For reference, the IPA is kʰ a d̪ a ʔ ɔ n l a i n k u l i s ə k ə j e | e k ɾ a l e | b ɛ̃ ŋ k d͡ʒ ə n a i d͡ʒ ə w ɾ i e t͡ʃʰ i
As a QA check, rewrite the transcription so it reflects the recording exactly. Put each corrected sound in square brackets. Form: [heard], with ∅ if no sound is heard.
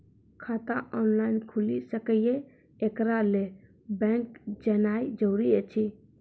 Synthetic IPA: kʰ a [t̪] a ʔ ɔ n l a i n [kʰ] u l i s ə k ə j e | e k ɾ a l e | b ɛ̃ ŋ k d͡ʒ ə n a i d͡ʒ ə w ɾ i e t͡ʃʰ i